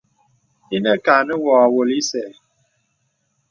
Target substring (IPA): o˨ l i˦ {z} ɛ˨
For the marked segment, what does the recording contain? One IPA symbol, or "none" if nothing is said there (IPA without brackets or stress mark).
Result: s